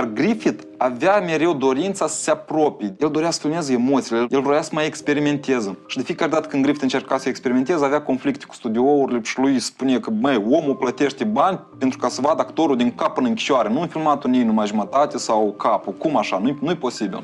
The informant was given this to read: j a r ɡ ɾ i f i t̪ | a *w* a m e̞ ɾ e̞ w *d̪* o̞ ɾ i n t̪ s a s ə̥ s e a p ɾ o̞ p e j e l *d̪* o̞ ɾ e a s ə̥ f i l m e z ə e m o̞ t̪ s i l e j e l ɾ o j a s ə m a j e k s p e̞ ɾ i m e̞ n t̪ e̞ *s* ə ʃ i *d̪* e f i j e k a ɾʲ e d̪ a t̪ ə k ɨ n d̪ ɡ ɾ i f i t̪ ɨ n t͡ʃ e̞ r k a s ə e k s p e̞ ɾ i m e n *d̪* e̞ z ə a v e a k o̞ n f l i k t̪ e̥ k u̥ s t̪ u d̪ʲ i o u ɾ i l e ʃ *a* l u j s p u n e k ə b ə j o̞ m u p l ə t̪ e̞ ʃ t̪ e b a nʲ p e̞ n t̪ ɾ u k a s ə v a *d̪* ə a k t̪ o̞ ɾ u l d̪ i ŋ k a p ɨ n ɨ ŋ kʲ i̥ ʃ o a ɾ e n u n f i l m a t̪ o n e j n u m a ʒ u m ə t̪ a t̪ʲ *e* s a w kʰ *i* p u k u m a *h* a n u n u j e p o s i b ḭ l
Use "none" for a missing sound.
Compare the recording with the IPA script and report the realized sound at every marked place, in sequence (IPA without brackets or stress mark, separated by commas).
v, d̪, d̪, z, d̪, t̪, i, d̪, e, a, ʃ